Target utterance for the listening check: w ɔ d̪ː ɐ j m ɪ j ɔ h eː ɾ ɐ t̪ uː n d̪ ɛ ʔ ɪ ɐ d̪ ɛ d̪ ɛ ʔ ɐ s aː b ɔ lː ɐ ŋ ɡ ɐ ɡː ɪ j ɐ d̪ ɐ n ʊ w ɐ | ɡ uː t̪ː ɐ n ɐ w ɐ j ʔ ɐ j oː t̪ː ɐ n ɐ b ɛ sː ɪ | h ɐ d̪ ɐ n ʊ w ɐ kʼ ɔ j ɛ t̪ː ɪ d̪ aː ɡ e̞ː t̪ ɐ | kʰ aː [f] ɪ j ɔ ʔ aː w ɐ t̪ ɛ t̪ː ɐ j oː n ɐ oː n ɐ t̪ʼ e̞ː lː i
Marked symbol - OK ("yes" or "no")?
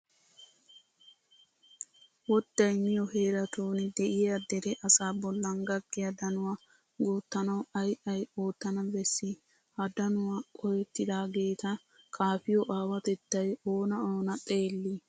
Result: yes